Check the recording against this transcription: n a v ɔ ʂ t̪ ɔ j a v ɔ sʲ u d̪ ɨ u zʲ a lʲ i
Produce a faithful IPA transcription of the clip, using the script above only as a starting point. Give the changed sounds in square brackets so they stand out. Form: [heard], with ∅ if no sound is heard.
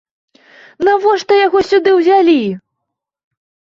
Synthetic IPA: n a v ɔ ʂ t̪ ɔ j a [ɣ] ɔ sʲ u d̪ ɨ [w] zʲ a lʲ i